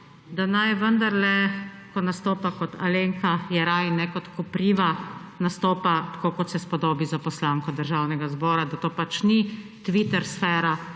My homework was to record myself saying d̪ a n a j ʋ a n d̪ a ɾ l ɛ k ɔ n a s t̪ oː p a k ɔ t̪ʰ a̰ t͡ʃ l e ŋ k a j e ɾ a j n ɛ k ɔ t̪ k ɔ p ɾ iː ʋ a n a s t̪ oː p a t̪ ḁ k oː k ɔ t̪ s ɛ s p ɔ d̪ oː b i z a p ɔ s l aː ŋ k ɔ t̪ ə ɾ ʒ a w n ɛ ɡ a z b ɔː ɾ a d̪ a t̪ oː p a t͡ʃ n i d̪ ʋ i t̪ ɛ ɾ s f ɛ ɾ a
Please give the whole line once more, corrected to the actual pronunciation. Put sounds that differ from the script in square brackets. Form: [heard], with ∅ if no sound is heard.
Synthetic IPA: d̪ a n a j ʋ [ə] n d̪ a ɾ l ɛ k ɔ n a s t̪ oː p a k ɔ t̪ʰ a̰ [∅] l e ŋ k a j [ɛ] ɾ a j n ɛ k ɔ t̪ k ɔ p ɾ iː ʋ a n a s t̪ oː p a t̪ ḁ k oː k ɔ t̪ s ɛ s p ɔ d̪ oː b i z a p ɔ s l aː ŋ k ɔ [d̪] ə ɾ ʒ a w n ɛ ɡ a z b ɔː ɾ a d̪ a t̪ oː p a t͡ʃ n i [t̪] ʋ i t̪ ɛ ɾ s f ɛ ɾ a

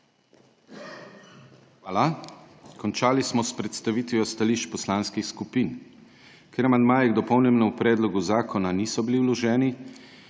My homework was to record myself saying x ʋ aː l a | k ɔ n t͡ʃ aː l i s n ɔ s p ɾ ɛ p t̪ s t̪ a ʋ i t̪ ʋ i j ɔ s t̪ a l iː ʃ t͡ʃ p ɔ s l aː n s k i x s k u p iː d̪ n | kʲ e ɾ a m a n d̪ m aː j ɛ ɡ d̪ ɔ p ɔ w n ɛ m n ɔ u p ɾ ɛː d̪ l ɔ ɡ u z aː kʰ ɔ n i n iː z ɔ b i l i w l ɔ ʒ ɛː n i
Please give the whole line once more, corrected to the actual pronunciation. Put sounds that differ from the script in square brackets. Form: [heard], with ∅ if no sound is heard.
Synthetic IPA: x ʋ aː l a | k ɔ n t͡ʃ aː l i s [m] ɔ s p ɾ ɛ [∅] t̪ s t̪ a ʋ i t̪ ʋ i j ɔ s t̪ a l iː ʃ t͡ʃ p ɔ s l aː n s k i x s k u p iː [∅] n | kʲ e ɾ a m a n d̪ m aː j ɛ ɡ d̪ ɔ p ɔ w n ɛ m n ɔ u p ɾ ɛː d̪ l ɔ ɡ u z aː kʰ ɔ n [a] n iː [s] ɔ b i l i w l ɔ ʒ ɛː n i

